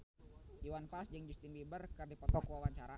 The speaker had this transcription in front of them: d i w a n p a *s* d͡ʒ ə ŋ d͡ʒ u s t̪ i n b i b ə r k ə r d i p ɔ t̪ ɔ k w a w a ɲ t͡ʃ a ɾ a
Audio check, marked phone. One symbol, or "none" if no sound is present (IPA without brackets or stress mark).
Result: s